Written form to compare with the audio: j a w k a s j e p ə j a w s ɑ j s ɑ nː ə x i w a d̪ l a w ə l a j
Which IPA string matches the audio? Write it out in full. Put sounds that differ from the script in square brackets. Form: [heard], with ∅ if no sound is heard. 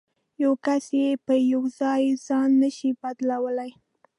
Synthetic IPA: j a w k a s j e p ə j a w [z] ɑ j [z] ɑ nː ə [ʃ] i [b] a d̪ l a w ə l a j